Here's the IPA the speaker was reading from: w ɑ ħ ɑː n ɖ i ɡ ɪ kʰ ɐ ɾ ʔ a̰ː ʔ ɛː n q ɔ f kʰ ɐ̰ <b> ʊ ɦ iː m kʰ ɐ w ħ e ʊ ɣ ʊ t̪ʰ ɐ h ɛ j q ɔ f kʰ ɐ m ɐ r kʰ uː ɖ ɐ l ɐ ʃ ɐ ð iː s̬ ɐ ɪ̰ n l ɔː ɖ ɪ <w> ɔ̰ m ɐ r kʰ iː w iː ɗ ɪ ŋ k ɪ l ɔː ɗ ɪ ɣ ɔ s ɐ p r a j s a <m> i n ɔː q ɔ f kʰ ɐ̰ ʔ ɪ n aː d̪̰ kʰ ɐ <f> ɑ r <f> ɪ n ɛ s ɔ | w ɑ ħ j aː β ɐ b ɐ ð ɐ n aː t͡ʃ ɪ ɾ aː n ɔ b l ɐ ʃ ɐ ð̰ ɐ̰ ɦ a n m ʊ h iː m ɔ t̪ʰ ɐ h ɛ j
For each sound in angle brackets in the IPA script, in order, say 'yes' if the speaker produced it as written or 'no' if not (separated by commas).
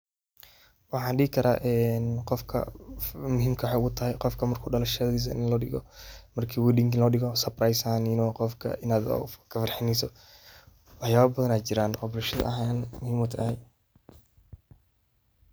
no, no, no, yes, no